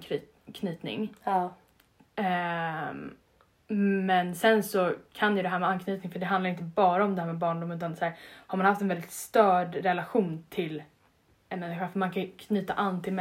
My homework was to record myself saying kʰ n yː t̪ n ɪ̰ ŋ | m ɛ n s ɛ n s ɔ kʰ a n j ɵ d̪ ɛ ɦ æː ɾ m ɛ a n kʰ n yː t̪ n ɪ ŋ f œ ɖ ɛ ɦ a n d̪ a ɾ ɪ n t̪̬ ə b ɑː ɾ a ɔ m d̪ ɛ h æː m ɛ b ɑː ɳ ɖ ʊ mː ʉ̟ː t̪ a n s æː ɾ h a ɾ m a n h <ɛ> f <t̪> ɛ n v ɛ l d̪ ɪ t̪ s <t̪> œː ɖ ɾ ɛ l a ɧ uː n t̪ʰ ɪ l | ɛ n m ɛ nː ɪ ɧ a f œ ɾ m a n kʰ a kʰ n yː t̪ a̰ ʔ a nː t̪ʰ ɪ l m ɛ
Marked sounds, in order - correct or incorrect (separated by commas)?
incorrect, correct, correct